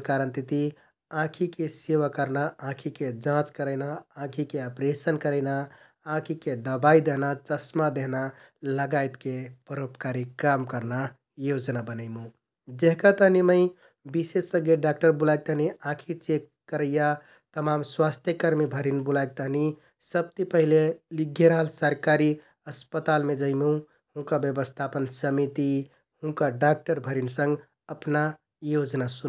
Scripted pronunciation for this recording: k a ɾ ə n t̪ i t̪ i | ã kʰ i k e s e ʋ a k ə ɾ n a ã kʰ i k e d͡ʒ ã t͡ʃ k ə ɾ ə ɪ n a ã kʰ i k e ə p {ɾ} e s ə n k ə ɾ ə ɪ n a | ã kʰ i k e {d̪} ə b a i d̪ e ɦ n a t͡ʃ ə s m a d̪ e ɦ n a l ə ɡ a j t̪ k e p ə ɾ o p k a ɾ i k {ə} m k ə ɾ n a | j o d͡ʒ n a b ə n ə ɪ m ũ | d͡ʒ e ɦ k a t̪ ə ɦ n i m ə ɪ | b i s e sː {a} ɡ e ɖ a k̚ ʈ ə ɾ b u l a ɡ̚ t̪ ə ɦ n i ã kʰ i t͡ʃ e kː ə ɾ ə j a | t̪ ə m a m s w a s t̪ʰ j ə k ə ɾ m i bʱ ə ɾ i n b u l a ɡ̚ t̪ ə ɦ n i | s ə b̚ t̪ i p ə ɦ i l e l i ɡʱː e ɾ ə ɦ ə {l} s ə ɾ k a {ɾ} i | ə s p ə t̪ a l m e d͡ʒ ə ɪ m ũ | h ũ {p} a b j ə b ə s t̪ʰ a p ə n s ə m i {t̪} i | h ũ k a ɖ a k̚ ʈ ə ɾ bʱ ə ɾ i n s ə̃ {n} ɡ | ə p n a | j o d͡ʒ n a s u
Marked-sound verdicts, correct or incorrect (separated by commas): correct, correct, incorrect, incorrect, correct, correct, incorrect, correct, incorrect